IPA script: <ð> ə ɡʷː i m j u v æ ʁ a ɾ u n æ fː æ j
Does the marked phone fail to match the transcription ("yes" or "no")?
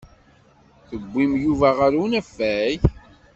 yes